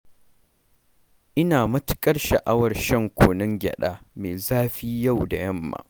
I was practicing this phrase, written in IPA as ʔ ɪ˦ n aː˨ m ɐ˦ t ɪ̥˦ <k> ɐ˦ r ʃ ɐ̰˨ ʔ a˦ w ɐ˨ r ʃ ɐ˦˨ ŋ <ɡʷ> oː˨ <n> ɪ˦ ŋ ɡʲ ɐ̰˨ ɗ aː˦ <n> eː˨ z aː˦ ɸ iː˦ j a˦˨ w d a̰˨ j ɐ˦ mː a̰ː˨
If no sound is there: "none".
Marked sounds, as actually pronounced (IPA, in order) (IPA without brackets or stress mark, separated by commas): kʼ, kʷ, n, m